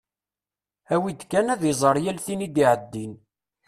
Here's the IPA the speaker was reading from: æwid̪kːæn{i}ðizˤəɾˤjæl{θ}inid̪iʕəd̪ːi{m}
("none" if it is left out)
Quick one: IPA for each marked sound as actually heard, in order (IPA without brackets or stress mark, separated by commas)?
æ, θ, n